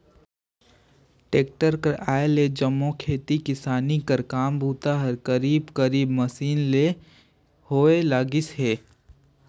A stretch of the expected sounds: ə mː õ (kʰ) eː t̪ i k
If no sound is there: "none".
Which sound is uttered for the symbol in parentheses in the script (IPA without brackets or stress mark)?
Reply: kʰ